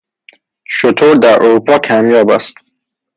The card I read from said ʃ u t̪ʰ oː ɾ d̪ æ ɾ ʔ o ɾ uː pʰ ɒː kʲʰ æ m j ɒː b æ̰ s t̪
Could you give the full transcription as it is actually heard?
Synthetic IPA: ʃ o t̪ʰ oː ɾ d̪ æ ɾ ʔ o ɾ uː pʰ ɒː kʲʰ æ m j ɒː b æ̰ s t̪